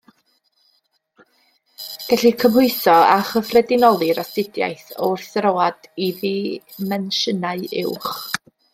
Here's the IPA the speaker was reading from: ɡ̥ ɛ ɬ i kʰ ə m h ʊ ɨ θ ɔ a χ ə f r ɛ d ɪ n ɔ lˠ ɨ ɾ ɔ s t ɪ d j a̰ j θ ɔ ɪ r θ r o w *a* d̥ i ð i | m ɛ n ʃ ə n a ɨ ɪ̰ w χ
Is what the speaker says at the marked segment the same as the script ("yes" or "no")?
yes